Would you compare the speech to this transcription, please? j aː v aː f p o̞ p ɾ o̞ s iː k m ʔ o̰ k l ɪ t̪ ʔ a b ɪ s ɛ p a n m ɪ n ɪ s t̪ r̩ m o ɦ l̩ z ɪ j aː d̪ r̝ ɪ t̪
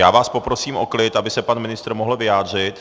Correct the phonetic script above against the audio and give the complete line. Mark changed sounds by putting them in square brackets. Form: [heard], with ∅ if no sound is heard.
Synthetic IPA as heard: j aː v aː [s] p o̞ p ɾ o̞ s iː [∅] m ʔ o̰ k l ɪ t̪ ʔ a b ɪ s ɛ p a n m ɪ n ɪ s t̪ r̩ m o ɦ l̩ [v] ɪ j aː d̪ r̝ ɪ t̪

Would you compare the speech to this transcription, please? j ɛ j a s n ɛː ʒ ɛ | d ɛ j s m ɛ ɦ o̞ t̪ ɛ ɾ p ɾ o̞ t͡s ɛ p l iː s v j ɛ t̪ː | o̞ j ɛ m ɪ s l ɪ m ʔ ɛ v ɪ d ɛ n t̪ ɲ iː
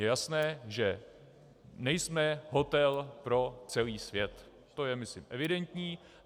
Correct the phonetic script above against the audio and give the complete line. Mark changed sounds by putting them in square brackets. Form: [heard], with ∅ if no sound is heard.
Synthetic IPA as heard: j ɛ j a s n ɛː ʒ ɛ | [n] ɛ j s m ɛ ɦ o̞ t̪ ɛ [l] p ɾ o̞ t͡s ɛ [∅] l iː s v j ɛ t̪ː | o̞ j ɛ m ɪ s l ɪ m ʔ ɛ v ɪ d ɛ n t̪ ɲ iː

